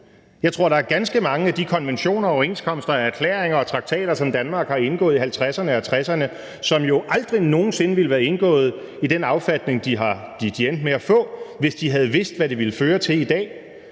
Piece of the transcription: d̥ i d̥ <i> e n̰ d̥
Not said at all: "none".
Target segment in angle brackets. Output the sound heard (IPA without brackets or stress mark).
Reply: i